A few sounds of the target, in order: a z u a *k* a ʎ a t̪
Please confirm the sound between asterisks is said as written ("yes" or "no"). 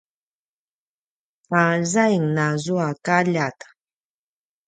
yes